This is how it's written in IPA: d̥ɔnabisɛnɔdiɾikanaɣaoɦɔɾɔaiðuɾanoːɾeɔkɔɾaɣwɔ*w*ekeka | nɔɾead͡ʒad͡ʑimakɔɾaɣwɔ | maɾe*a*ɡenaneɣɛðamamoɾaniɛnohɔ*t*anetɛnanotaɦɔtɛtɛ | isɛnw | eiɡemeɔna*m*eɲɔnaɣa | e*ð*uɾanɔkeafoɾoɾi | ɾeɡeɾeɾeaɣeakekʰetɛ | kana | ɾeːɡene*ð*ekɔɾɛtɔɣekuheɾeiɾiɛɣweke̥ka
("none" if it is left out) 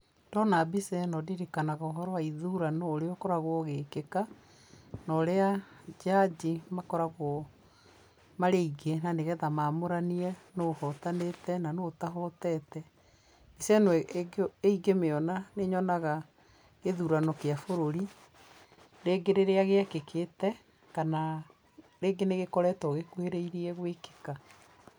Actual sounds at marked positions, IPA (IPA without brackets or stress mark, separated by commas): ɣ, i, t, n, ð, ɣ